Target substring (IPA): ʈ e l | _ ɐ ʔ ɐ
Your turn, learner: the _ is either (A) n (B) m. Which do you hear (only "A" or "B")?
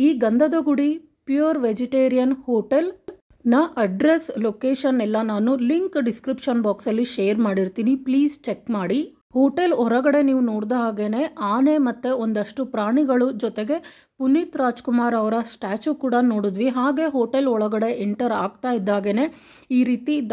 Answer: A